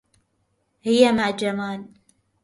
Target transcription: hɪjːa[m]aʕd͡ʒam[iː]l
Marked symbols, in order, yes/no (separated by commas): yes, no